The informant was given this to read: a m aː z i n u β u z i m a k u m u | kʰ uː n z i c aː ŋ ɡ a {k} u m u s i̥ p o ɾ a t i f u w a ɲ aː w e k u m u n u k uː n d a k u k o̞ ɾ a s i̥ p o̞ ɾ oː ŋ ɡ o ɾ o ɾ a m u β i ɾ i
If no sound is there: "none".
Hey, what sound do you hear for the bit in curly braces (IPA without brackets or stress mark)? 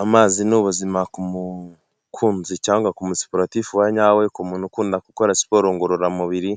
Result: k